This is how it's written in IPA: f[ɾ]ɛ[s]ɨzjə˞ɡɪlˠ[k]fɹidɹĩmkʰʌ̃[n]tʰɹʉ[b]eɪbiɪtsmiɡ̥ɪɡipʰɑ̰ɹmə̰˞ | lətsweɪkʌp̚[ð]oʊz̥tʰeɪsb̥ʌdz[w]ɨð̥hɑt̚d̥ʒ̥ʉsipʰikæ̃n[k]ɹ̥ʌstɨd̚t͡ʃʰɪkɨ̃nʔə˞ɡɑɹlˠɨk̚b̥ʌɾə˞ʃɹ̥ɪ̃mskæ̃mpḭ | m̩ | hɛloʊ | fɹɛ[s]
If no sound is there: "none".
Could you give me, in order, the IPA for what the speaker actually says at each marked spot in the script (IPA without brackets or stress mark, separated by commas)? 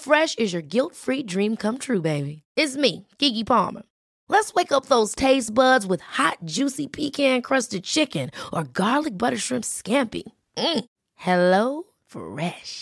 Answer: ɹ, ʃ, t, m, b, ð, w, kʰ, ʃ